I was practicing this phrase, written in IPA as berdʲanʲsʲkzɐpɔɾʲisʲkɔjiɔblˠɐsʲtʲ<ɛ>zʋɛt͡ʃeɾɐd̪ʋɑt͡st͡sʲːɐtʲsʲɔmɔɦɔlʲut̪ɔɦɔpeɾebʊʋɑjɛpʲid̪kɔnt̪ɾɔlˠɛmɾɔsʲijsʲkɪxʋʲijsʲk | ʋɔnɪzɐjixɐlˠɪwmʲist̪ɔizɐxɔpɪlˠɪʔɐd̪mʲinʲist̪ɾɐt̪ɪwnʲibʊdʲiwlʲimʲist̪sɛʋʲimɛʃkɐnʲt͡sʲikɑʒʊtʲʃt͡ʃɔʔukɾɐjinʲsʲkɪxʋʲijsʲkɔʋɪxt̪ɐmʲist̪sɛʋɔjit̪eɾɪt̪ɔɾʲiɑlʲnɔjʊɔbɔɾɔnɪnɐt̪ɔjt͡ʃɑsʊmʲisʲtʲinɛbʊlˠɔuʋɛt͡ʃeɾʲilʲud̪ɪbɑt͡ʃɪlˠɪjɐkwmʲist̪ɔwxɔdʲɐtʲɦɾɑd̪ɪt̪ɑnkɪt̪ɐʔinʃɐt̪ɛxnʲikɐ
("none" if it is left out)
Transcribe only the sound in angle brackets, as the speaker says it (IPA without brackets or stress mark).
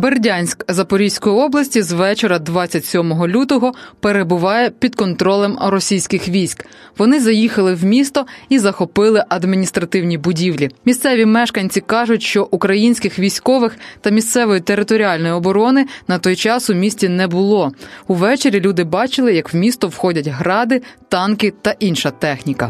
i